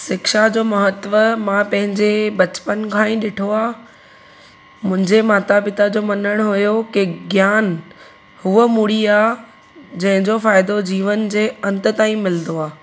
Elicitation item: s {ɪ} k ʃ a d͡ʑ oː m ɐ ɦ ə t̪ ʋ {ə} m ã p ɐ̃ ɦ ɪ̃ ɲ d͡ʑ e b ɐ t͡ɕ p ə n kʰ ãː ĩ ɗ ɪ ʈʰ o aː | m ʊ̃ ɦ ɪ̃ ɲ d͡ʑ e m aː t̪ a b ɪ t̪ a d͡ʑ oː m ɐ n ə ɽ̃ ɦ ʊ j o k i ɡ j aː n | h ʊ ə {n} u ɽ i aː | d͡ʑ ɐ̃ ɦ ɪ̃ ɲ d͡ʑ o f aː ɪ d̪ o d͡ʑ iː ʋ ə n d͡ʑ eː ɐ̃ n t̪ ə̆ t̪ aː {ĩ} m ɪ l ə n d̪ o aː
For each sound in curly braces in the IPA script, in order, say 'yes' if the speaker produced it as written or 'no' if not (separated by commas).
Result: yes, yes, no, yes